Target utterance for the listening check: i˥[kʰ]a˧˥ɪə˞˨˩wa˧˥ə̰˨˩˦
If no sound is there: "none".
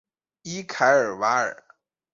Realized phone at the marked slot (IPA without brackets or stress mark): kʰ